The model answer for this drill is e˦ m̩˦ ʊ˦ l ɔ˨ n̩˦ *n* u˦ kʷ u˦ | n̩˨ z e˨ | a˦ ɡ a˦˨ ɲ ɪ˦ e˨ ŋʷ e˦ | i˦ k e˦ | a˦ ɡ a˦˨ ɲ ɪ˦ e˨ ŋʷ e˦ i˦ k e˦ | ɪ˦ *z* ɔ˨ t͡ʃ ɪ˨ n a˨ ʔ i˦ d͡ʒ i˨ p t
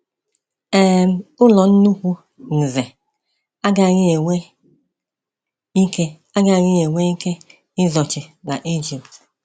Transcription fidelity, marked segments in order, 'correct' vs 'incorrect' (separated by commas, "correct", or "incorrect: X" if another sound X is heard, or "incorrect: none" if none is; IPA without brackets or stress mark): correct, correct